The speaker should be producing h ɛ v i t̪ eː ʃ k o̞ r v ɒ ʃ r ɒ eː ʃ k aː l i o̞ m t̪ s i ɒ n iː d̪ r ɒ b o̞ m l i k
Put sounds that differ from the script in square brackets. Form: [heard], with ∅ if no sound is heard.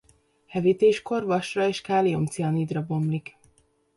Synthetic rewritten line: h ɛ v i t̪ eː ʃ k o̞ r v ɒ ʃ r ɒ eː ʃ k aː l i o̞ m t̪ s i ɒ n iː d̪ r ɒ b o̞ m l i k